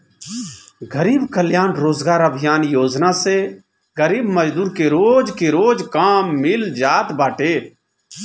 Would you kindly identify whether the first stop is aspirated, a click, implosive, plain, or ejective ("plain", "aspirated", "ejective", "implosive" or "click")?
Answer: plain